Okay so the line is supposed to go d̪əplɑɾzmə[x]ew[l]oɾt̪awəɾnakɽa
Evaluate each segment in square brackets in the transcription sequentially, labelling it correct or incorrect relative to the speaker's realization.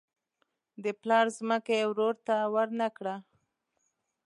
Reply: incorrect, incorrect

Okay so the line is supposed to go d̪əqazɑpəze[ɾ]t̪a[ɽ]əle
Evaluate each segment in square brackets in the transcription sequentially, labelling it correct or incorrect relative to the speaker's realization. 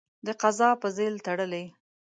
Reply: incorrect, correct

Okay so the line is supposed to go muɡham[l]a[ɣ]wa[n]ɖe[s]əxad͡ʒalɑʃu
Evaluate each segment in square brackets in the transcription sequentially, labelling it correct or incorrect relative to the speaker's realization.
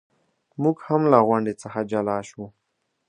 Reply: correct, correct, incorrect, incorrect

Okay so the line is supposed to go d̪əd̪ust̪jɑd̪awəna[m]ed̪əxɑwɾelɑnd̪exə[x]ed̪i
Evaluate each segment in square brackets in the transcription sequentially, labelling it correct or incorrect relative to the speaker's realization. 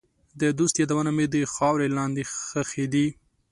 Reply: correct, correct

